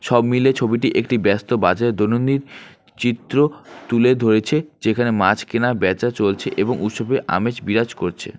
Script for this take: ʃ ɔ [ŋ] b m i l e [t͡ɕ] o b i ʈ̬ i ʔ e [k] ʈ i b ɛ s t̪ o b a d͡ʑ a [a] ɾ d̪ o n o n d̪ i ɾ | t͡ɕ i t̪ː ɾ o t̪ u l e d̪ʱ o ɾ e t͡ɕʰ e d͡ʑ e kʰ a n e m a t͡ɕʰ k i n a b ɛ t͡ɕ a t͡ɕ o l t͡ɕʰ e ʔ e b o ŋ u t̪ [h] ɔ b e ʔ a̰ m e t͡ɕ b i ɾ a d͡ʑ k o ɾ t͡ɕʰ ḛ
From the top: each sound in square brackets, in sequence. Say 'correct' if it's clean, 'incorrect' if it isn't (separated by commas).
incorrect, incorrect, correct, incorrect, incorrect